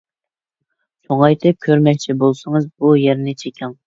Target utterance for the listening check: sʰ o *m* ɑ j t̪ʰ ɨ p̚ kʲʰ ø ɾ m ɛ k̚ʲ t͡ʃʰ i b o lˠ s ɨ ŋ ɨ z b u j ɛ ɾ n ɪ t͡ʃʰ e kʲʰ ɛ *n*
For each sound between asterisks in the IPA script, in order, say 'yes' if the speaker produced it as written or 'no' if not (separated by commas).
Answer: no, no